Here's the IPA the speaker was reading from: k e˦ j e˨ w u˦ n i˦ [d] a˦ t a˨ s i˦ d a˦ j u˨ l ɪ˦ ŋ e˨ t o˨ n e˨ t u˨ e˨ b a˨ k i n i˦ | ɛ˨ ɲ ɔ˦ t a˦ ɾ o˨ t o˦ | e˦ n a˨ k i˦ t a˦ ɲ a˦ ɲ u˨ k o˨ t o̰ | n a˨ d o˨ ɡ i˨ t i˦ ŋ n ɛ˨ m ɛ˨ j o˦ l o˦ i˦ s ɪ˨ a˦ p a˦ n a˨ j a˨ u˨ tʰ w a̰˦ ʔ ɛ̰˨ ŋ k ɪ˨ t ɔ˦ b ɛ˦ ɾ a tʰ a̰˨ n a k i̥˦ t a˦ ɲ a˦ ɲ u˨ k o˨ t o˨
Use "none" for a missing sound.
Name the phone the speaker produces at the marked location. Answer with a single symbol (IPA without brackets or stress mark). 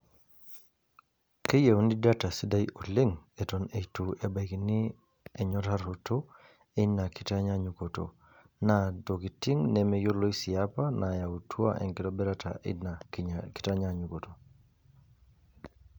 d